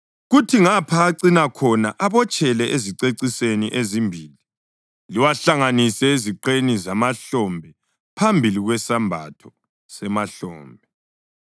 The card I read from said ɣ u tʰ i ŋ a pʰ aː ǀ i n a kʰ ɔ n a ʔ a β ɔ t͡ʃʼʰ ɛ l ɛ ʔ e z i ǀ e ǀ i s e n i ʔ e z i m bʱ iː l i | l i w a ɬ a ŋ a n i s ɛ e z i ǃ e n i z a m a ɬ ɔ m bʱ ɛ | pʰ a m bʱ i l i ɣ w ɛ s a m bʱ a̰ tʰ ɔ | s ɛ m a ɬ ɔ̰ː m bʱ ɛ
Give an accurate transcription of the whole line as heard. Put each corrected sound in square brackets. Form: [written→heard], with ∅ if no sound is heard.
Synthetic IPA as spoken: ɣ u tʰ i ŋ a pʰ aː ǀ i n a kʰ ɔ n a ʔ a β ɔ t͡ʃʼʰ ɛ l ɛ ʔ e z i ǀ e ǀ i s e n i ʔ e z i m bʱ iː l i | l i w a ɬ a ŋ a n i s ɛ e z i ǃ e n i z a m a ɬ ɔ m bʱ ɛ | pʰ a m bʱ i l i ɣ w ɛ s a m bʱ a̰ tʰ ɔ | s ɛ m a ɬ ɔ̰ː m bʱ ɛ